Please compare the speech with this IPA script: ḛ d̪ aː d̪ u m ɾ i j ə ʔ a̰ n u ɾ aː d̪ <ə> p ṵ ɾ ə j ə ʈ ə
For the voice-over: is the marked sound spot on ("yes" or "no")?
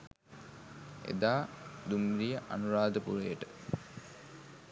yes